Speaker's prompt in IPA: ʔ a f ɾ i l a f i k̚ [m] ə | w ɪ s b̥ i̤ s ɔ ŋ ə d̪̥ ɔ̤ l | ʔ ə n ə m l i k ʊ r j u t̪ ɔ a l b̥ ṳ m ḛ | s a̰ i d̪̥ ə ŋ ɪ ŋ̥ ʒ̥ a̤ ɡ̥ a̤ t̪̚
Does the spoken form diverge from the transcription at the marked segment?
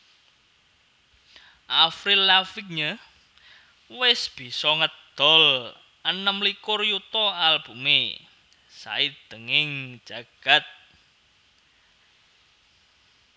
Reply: yes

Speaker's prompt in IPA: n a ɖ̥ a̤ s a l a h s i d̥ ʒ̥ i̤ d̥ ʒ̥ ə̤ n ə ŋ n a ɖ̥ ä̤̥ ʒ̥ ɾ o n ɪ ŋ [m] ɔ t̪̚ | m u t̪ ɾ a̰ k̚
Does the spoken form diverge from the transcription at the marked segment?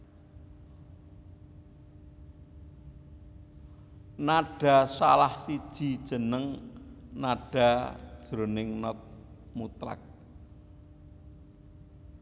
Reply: yes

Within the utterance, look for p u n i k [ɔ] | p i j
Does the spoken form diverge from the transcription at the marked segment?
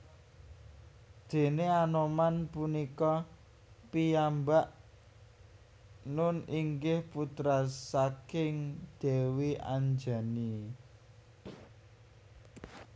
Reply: no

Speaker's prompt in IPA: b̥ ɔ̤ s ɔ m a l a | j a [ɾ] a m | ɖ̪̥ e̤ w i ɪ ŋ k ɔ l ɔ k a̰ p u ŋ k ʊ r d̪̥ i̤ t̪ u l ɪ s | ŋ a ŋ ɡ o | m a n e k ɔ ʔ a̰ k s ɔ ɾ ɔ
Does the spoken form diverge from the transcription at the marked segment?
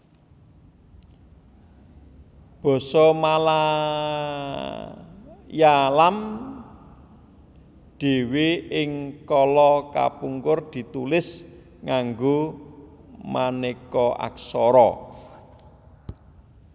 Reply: yes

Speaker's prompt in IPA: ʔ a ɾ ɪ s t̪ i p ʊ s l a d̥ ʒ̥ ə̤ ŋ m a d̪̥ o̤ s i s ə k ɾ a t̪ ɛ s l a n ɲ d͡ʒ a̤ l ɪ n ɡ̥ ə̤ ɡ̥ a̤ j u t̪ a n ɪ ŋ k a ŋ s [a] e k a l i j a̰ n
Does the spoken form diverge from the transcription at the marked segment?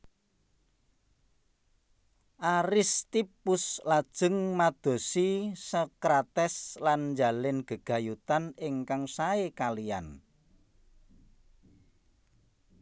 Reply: no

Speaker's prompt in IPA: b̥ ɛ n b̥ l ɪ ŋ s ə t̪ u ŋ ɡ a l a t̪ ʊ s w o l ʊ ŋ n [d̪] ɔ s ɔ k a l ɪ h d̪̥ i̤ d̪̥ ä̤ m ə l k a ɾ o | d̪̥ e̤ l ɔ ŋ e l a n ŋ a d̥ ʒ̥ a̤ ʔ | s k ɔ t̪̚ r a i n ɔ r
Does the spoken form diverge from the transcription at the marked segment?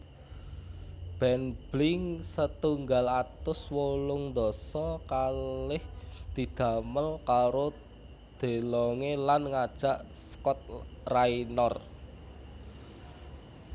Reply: no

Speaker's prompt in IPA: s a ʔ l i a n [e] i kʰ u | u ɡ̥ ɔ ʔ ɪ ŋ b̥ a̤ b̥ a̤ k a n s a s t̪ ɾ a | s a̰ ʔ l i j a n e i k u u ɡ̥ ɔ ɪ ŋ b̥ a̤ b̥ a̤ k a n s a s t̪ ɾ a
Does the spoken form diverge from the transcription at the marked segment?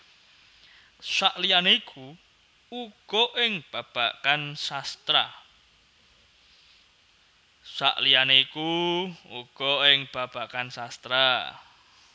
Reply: no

